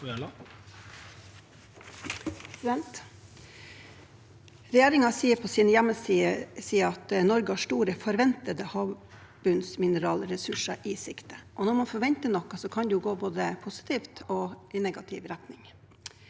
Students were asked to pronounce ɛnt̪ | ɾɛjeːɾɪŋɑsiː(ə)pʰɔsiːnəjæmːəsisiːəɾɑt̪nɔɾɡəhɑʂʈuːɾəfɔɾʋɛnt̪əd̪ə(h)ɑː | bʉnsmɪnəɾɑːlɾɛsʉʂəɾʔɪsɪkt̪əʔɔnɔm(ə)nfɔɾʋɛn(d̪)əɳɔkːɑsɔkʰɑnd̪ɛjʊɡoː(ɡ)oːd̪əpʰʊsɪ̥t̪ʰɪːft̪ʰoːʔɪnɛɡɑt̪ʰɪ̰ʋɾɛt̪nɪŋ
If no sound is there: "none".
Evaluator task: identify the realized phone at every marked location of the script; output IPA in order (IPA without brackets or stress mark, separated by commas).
ə, h, ɑ, t̪, b